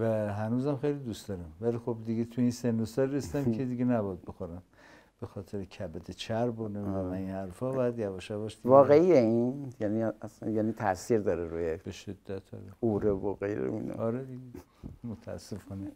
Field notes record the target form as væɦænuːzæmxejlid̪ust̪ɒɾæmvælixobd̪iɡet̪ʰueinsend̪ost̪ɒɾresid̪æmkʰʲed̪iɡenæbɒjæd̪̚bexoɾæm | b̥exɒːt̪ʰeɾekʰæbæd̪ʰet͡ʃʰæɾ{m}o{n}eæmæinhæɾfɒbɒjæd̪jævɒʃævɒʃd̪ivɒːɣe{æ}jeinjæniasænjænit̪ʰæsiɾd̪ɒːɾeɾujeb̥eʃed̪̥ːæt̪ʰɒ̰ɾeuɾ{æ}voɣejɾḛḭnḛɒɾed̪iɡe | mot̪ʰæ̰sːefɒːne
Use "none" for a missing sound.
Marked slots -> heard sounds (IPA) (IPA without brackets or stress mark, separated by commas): b, n, i, e